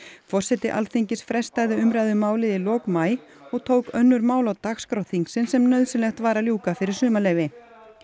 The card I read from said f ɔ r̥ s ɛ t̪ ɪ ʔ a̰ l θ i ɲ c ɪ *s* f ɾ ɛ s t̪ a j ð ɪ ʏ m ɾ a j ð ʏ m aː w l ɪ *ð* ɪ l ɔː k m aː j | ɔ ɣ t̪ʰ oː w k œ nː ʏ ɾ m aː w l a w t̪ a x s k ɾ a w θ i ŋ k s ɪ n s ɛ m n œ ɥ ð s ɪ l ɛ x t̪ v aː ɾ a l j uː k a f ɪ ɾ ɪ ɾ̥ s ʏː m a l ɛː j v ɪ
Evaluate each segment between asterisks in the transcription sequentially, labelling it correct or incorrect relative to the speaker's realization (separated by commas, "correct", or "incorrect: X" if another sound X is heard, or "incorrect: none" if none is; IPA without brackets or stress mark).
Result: correct, correct